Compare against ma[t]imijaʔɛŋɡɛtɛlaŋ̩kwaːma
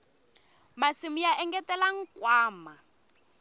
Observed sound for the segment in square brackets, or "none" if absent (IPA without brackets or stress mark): s